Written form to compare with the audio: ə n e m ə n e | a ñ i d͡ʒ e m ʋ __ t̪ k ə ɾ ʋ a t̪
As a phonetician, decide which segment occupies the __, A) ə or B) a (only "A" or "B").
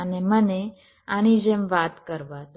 B